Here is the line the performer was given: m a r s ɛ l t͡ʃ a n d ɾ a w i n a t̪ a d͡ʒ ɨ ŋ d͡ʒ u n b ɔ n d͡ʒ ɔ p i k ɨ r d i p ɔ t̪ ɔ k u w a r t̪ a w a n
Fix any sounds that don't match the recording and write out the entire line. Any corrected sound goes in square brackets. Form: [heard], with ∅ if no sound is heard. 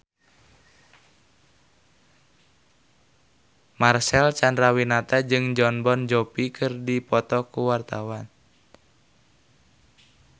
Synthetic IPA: m a r s ɛ l t͡ʃ a n d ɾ a w i n a t̪ a d͡ʒ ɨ ŋ d͡ʒ [ɔ] n b ɔ n d͡ʒ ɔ p i k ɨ r d i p ɔ t̪ ɔ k u w a r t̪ a w a n